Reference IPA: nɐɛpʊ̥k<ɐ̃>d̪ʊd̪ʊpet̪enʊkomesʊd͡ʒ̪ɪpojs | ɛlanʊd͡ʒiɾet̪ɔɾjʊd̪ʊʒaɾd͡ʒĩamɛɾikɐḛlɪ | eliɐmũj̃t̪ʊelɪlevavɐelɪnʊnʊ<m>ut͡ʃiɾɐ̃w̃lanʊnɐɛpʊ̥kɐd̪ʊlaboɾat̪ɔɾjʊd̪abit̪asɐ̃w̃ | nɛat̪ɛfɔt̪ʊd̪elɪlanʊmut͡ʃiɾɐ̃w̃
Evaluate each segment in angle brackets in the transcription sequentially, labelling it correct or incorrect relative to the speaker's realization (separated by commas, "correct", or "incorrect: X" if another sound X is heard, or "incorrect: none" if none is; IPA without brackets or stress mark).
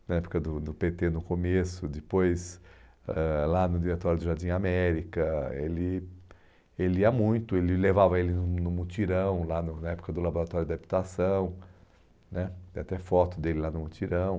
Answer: incorrect: ɐ, correct